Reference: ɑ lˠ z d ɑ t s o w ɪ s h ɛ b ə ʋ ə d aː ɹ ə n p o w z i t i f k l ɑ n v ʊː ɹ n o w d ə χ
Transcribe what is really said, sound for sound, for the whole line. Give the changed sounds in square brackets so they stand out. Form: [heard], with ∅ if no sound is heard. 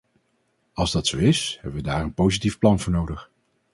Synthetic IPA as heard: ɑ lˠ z d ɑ t s o w ɪ s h ɛ b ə ʋ ə d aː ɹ ə n p o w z i t i f [p] l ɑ n v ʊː ɹ n o w d ə χ